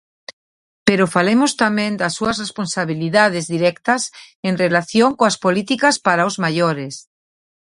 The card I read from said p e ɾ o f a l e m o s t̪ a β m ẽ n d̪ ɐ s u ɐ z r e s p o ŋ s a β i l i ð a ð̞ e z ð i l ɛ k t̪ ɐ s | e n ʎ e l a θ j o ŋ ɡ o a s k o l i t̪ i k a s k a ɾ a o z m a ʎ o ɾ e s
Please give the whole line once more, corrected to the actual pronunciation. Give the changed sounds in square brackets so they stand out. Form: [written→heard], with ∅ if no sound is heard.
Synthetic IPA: p e ɾ o f a l e m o s t̪ a [β→∅] m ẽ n d̪ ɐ s u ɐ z r e s p o [ŋ→n] s a β i l i ð a ð̞ e z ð i [l→ɾ] ɛ k t̪ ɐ s | e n [ʎ→r] e l a θ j o ŋ [ɡ→k] o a s [k→p] o l i t̪ i k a s [k→p] a ɾ a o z m a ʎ o ɾ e s